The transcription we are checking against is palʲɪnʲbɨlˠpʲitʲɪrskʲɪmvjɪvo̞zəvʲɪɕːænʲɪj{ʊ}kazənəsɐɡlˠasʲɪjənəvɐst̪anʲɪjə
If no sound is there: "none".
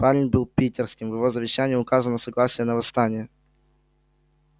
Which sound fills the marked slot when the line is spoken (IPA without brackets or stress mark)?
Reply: ʊ